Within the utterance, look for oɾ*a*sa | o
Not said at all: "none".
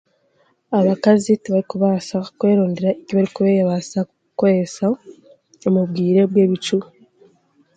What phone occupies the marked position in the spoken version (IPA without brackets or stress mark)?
e